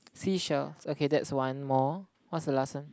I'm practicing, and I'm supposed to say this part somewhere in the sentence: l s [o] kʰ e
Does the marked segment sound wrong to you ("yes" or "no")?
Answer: no